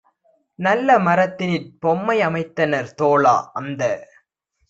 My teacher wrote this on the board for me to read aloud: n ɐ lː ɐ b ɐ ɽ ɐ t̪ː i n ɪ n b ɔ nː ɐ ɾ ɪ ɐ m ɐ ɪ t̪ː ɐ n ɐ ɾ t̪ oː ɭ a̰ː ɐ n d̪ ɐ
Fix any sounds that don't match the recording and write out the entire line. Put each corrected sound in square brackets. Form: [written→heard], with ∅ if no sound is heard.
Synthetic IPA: n ɐ lː ɐ [b→m] ɐ [ɽ→ɾ] ɐ t̪ː [i→ɪ] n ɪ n [b→p] ɔ [nː→mː] ɐ [ɾ→∅] ɪ ɐ m ɐ ɪ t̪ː ɐ n ɐ ɾ t̪ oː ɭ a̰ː ɐ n d̪ ɐ